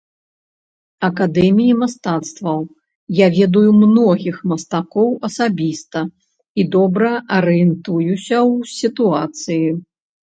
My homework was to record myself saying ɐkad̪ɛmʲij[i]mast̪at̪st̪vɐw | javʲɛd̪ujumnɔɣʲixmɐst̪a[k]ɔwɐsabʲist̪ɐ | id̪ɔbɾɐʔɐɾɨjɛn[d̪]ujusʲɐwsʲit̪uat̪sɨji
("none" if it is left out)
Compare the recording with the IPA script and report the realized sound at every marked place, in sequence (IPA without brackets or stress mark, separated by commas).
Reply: i, k, t̪